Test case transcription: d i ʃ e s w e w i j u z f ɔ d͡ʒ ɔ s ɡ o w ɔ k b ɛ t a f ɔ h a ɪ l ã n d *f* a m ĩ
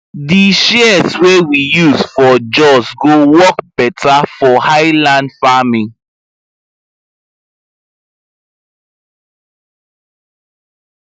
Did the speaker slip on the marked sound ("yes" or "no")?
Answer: no